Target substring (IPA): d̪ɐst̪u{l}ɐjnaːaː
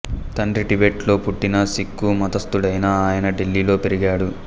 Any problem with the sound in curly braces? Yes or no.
yes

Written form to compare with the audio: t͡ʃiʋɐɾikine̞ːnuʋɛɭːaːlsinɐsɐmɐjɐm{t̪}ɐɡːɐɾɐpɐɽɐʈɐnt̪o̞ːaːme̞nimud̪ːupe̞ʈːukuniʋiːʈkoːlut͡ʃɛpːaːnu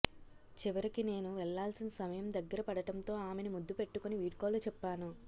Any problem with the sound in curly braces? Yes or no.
yes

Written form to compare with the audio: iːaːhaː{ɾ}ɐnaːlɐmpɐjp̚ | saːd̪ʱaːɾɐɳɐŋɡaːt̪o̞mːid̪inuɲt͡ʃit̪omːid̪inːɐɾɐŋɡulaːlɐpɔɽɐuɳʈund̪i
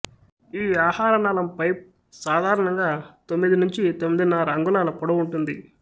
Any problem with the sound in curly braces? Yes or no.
no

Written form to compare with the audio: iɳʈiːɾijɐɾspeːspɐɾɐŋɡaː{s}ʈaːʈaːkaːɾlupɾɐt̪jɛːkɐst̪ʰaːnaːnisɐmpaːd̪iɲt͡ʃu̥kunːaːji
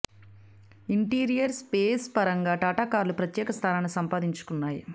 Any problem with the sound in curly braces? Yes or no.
yes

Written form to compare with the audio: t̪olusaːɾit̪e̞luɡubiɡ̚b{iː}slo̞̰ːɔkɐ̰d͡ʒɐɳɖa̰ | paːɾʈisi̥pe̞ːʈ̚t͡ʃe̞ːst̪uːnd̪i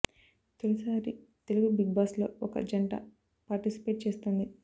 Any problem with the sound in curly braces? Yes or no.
yes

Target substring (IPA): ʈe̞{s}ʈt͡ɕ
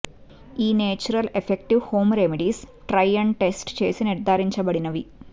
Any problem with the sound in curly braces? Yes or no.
no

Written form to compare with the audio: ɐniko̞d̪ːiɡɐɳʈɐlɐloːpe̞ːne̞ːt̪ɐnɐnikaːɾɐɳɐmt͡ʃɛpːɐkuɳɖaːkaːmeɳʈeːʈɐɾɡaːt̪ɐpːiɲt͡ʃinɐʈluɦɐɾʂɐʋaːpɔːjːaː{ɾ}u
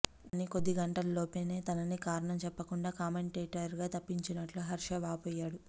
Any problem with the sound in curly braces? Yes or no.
yes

